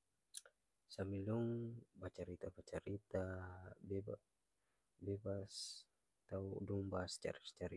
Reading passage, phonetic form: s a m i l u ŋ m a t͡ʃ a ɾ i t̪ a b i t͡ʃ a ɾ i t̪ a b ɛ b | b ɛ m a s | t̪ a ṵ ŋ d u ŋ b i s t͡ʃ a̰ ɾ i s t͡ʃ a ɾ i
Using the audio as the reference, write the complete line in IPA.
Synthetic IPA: s a m i l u ŋ b a t͡ʃ a ɾ i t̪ a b a t͡ʃ a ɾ i t̪ a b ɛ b | b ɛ b a s | t̪ a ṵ d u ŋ b a s t͡ʃ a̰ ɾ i s t͡ʃ a ɾ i